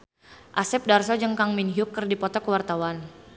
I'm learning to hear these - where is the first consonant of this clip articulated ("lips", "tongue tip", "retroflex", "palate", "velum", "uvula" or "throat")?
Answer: throat